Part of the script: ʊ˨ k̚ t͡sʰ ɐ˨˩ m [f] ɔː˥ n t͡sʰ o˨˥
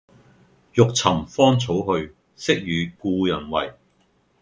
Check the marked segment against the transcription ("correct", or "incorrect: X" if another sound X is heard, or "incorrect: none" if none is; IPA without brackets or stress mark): correct